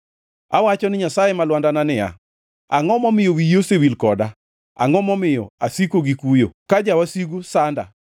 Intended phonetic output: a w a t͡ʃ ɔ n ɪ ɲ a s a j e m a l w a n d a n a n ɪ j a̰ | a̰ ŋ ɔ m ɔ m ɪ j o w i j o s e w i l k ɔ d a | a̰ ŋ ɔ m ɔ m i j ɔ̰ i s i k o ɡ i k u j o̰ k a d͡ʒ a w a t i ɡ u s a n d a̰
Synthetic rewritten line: a w a t͡ʃ ɔ n ɪ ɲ a s a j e m a l w a n d a n a n ɪ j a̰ | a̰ ŋ ɔ m ɔ m ɪ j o w i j o s e w i l k ɔ d a | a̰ ŋ ɔ m ɔ m ɪ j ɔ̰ a s i k o ɡ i k u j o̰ k a d͡ʒ a w a s i ɡ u s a n d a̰